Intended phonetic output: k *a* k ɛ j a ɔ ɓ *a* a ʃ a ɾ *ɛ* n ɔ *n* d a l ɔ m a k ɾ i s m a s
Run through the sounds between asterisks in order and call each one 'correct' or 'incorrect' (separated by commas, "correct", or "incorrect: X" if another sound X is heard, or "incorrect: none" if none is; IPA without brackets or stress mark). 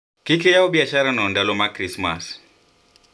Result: incorrect: i, incorrect: i, incorrect: a, correct